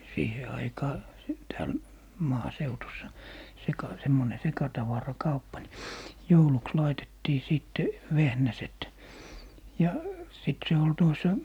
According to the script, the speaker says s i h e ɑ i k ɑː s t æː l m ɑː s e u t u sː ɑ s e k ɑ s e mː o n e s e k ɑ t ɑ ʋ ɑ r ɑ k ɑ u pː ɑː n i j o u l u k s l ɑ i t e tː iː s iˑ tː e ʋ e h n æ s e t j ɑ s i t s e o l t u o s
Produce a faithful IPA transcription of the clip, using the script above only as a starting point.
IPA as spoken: s iː h e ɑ i k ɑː s t æː l m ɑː s e u t u sː ɑ s e k ɑ s e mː o n e s e k ɑ t ɑ ʋ ɑ r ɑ k ɑ u pː ɑ n i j o u l u k s l ɑ i t e tː iː s iˑ tː e ʋ e h n æ s e t j ɑ s i t s e o l t u o s